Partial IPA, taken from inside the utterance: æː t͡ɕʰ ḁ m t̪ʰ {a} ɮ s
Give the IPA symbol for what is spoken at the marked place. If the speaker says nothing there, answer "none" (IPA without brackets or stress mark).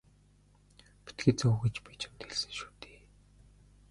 e